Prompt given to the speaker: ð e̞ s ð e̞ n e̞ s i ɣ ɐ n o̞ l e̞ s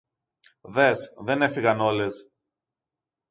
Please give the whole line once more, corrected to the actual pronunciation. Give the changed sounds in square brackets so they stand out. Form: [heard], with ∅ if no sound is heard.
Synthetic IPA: ð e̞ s ð e̞ n e̞ [f] i ɣ ɐ n o̞ l e̞ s